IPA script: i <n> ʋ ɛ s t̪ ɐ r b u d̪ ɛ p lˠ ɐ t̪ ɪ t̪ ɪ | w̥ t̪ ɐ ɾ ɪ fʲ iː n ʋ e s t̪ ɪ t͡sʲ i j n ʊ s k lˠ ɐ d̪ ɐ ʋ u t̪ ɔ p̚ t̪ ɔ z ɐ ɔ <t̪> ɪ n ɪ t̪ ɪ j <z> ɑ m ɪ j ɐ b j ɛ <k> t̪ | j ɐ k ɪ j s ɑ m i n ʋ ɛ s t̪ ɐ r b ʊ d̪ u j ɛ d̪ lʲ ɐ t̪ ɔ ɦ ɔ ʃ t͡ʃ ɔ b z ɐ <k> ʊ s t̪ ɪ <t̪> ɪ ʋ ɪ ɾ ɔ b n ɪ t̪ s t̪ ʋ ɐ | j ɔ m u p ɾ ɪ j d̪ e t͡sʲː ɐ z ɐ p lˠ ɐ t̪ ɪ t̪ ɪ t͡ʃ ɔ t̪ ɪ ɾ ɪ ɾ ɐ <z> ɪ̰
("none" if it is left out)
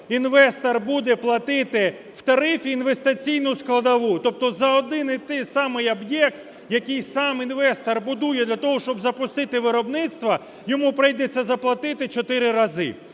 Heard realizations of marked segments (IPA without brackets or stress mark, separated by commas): n, d̪, s, k, p, t̪, z